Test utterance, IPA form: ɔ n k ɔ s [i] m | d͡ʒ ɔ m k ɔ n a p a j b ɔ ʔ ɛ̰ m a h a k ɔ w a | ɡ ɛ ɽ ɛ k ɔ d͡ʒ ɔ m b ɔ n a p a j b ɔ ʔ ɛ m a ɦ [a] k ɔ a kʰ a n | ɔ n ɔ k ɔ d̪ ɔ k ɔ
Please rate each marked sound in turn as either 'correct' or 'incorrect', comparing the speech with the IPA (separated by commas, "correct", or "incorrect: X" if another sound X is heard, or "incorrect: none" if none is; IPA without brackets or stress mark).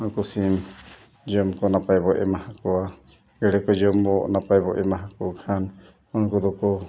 correct, correct